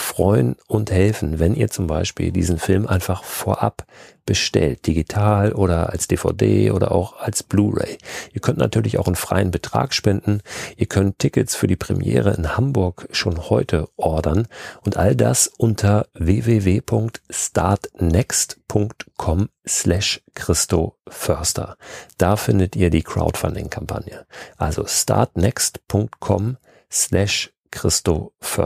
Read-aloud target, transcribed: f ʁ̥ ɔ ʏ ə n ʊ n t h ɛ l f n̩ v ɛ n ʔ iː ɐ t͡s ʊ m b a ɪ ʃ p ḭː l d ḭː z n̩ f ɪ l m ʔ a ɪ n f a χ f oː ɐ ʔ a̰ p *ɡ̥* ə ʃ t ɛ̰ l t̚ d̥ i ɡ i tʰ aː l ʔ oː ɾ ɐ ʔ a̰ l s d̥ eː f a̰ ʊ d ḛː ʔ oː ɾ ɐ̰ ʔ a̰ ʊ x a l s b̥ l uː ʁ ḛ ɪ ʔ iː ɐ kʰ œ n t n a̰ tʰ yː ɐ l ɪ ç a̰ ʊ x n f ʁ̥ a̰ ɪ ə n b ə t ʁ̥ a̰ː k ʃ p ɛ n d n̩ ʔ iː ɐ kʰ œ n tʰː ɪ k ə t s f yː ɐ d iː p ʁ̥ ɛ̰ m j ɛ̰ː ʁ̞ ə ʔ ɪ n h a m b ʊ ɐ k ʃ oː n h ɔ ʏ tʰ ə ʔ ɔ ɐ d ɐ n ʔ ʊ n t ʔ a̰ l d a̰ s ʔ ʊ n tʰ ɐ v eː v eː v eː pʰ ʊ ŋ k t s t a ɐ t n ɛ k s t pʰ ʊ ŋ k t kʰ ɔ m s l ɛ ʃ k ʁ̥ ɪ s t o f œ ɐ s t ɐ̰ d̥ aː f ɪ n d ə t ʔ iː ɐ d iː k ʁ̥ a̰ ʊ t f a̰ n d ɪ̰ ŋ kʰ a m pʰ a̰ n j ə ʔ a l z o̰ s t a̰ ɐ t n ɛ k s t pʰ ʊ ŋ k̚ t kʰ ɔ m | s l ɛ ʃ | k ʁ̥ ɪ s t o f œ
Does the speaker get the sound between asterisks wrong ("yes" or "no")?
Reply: yes